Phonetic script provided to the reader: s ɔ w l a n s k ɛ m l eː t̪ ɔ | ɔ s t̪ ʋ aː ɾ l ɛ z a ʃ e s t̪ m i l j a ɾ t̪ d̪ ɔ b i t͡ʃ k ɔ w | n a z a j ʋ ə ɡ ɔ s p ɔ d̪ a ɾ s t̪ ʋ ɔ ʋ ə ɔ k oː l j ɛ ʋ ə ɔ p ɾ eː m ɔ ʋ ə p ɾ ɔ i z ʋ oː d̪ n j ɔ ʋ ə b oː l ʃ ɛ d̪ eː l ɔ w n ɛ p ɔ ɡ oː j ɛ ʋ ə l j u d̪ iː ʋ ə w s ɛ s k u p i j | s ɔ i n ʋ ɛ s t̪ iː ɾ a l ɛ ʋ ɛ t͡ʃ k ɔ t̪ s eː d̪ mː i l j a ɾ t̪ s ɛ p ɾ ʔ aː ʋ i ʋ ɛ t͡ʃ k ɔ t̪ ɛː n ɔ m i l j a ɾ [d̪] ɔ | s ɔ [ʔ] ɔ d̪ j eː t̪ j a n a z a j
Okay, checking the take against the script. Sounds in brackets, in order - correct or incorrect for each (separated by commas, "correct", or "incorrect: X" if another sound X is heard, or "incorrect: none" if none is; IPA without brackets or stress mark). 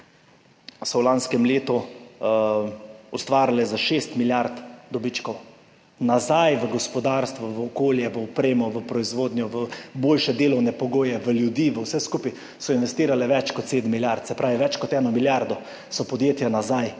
correct, incorrect: p